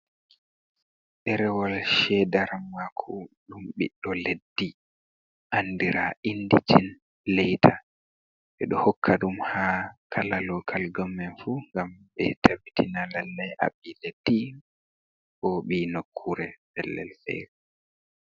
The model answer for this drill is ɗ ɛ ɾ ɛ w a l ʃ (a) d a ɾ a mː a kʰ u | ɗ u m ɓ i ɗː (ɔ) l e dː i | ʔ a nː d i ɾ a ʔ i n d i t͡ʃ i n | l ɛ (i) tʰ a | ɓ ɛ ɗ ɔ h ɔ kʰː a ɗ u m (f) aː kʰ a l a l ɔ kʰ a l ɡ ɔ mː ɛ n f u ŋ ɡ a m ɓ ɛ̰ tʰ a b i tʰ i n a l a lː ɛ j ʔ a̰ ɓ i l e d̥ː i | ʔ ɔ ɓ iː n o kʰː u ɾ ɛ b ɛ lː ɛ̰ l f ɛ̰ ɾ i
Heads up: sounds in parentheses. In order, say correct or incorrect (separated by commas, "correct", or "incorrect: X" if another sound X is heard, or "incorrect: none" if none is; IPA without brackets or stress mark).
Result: incorrect: ɛ, correct, incorrect: j, incorrect: h